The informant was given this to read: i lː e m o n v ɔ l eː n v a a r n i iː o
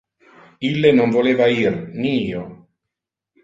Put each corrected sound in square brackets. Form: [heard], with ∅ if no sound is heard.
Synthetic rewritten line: i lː e [n] o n v [o] l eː [∅] v a [i] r n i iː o